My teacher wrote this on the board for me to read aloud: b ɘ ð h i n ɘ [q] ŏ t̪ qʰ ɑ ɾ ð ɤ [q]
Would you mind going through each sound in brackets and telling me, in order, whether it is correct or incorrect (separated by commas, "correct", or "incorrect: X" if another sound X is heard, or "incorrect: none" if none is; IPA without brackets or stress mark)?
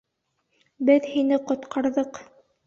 correct, correct